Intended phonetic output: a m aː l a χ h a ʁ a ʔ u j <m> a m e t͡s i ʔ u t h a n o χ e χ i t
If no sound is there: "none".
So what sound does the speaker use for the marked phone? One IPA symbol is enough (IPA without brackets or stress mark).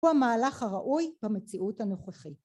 b